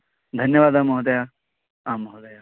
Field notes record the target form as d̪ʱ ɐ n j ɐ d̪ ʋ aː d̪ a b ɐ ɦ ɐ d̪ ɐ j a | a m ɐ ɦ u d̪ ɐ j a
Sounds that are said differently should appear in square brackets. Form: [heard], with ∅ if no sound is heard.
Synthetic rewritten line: d̪ʱ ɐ n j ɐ [∅] ʋ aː d̪ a [m] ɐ ɦ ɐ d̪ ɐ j a | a m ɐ ɦ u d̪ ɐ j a